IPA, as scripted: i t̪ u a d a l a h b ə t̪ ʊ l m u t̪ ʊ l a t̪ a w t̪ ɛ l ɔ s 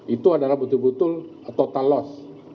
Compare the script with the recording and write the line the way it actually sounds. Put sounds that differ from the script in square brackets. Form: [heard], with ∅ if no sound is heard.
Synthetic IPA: i t̪ u a d a l a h b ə t̪ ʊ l [b] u t̪ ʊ l a t̪ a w t̪ [a] l ɔ s